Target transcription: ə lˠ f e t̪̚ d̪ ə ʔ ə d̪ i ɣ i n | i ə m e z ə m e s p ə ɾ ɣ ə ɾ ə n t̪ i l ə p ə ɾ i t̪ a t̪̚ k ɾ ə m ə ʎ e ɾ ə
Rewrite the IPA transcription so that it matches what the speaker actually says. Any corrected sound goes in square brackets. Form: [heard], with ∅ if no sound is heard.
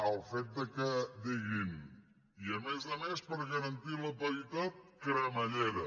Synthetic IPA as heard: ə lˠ f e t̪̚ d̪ ə [k] ə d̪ i ɣ i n | i ə m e z ə m e s p ə ɾ ɣ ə ɾ ə n t̪ i l ə p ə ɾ i t̪ a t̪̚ k ɾ ə m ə ʎ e ɾ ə